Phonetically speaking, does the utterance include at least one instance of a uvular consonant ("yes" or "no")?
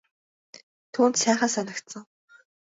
yes